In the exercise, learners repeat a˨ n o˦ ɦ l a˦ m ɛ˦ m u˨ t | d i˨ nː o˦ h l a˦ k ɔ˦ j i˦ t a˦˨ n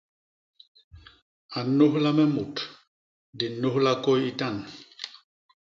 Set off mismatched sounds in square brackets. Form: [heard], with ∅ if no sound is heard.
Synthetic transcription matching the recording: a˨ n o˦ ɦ l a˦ m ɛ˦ m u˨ t | d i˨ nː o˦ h l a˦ k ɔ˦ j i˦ t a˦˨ n